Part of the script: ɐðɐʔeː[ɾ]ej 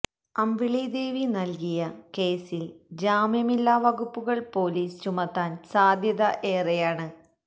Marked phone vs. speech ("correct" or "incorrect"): incorrect